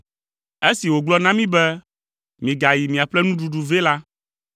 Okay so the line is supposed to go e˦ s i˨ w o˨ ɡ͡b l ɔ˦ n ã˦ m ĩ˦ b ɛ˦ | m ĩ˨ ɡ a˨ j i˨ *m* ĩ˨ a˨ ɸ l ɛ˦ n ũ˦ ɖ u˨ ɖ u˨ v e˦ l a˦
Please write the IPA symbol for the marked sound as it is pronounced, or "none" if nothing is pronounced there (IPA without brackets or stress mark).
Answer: m